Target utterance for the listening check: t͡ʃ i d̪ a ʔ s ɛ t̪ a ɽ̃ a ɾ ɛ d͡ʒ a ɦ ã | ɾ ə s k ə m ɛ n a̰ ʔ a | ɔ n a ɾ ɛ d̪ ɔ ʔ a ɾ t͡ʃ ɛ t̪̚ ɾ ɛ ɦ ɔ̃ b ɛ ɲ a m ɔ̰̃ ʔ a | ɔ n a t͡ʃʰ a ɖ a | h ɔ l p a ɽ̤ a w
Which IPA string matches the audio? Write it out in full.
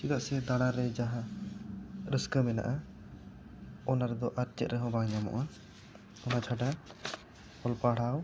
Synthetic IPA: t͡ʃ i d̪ a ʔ s ɛ d̪ a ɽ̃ a ɾ ɛ d͡ʒ a ɦ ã | ɾ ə s k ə m ɛ n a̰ ʔ a | ɔ n a ɾ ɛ d̪ ɔ ʔ a ɾ t͡ʃ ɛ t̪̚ ɾ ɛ ɦ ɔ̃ b a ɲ a m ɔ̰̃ ʔ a | ɔ n a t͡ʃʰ a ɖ a | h ɔ l p a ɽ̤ a w